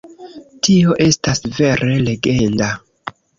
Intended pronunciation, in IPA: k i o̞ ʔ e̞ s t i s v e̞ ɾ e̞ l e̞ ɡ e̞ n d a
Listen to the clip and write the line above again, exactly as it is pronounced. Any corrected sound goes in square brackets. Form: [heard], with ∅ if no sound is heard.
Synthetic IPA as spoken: [t] i o̞ ʔ e̞ s t [a] s v e̞ ɾ e̞ l e̞ ɡ e̞ n d a